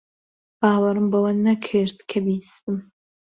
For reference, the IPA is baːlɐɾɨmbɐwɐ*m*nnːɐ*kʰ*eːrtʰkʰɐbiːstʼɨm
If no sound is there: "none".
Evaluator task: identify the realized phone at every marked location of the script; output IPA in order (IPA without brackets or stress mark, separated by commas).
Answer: none, kʰ